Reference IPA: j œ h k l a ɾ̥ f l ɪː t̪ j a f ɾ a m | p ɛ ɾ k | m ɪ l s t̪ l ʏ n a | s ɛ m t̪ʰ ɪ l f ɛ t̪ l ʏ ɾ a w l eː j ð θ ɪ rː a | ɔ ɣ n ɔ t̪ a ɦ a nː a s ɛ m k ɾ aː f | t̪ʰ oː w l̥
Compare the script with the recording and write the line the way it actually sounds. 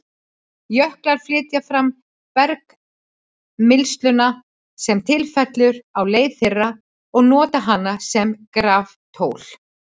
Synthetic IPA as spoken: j œ h k l a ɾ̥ f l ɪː t̪ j a f ɾ a m | p ɛ ɾ k | m ɪ l s t̪ l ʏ n a | s ɛ m t̪ʰ ɪ l f ɛ t̪ l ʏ ɾ a w l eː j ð θ ɪ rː a | ɔ ɣ n ɔː t̪ a ɦ a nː a s ɛ m k ɾ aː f | t̪ʰ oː w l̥